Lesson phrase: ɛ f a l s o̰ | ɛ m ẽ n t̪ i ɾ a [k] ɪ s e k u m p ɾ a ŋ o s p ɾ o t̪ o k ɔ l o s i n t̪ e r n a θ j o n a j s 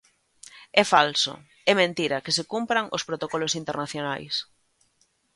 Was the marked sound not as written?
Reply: no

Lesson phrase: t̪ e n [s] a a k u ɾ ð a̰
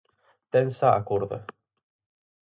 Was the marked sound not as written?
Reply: no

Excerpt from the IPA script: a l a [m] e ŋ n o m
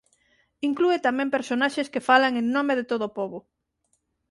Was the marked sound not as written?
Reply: yes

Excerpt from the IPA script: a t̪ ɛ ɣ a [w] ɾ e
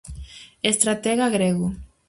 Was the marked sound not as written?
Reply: yes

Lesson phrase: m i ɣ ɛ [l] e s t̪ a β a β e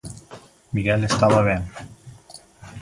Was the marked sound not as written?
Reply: no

